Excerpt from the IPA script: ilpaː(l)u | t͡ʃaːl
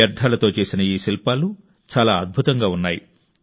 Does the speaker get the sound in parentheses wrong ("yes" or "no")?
no